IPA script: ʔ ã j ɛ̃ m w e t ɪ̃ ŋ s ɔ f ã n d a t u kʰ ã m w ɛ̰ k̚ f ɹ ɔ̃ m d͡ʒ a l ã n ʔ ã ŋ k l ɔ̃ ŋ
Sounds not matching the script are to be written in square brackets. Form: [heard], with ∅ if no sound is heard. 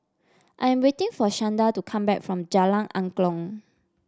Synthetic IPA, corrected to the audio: ʔ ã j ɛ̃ m w e t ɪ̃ ŋ [f] ɔ [ʃ] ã n d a t u kʰ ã m [b] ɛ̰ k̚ f ɹ ɔ̃ m d͡ʒ a l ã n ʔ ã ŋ k l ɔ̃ ŋ